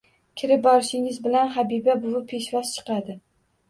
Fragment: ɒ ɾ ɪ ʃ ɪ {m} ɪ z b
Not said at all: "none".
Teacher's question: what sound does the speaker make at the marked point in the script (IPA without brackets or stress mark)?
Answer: ŋ